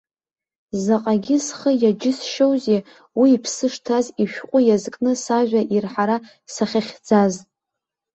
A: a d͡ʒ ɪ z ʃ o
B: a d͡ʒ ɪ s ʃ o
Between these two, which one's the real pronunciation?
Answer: B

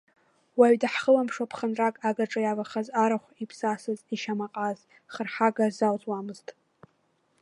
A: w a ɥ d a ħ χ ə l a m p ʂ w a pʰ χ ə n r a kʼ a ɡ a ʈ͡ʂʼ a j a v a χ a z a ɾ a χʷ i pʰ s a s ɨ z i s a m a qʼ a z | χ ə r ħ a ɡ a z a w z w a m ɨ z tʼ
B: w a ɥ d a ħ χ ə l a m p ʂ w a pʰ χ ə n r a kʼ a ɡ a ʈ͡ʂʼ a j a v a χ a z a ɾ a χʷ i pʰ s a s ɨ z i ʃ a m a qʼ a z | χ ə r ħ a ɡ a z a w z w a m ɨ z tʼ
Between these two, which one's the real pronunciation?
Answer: B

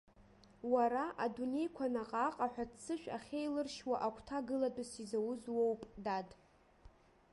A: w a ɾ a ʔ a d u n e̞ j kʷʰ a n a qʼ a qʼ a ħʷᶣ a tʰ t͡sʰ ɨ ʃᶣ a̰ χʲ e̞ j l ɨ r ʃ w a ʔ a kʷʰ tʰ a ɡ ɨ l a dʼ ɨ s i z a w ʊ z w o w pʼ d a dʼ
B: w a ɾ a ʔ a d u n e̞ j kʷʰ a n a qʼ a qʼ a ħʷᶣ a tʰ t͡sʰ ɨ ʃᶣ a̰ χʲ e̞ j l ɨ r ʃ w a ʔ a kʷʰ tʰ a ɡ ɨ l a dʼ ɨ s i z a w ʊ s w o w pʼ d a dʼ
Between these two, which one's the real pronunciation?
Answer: A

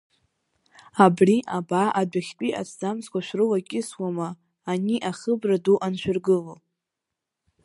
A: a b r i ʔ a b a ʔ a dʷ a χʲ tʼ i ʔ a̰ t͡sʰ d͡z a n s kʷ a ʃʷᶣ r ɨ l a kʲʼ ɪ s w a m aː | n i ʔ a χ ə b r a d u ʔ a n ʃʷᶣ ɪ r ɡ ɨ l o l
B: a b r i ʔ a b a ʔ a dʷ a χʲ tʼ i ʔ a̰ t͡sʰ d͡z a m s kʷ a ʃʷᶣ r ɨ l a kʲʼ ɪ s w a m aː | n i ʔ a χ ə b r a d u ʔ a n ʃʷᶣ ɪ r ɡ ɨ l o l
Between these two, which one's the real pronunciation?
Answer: B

